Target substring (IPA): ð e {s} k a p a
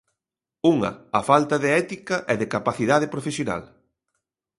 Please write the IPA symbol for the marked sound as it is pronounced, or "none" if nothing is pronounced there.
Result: none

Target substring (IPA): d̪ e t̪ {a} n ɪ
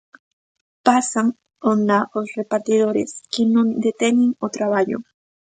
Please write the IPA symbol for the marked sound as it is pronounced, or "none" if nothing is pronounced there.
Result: e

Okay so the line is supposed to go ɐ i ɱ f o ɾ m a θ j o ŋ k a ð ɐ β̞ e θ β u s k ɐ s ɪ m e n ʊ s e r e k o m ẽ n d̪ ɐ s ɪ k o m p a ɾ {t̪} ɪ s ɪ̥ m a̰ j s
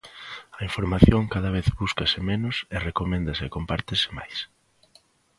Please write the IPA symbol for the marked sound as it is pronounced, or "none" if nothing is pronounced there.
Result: t̪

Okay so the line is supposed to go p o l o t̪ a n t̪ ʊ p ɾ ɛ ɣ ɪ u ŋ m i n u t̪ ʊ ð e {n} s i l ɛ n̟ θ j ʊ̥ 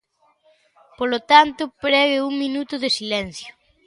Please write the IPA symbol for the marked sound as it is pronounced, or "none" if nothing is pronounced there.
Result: none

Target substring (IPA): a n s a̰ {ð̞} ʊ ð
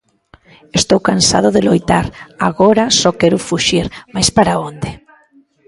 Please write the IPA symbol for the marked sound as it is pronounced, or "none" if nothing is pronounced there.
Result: ð̞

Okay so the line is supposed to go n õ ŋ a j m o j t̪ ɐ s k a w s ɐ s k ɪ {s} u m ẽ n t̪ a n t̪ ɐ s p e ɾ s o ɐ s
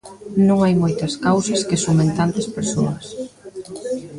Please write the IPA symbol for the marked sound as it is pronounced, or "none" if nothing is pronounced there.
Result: s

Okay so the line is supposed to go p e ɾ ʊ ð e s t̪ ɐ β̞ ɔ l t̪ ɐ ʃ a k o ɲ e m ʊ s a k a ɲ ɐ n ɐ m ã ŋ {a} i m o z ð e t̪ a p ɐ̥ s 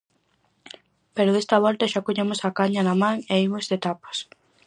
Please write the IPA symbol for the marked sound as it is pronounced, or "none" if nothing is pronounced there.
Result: e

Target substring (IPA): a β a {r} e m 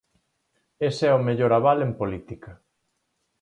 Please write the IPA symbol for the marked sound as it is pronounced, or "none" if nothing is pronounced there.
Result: l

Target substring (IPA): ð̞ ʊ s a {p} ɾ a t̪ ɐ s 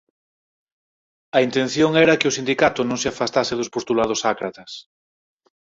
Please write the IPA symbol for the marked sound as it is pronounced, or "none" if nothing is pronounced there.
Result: k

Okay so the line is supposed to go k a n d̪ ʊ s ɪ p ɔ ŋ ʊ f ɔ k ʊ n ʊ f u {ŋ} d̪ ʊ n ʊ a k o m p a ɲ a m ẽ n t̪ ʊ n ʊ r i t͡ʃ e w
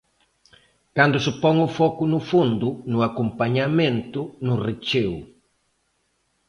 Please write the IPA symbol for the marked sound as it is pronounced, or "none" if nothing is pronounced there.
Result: n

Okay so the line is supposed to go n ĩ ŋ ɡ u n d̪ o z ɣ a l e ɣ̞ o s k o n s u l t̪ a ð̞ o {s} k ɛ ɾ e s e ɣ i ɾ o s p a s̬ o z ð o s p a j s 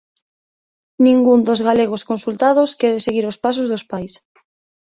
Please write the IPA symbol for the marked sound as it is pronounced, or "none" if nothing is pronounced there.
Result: s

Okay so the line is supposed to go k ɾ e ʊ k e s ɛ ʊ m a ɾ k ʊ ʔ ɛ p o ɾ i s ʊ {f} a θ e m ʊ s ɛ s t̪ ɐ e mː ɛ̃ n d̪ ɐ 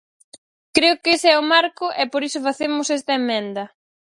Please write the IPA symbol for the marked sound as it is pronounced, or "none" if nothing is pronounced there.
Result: f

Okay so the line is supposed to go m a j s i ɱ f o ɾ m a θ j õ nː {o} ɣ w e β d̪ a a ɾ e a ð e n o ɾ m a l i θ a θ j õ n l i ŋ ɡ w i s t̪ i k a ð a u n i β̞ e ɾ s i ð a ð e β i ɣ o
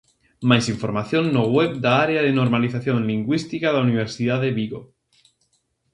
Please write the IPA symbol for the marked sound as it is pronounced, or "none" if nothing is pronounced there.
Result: o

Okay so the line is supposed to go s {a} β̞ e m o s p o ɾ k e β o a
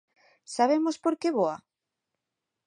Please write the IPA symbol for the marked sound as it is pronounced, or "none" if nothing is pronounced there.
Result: a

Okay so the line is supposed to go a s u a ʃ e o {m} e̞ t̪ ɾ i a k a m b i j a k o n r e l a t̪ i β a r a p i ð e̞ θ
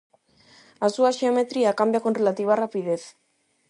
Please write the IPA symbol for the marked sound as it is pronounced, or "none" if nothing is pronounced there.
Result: m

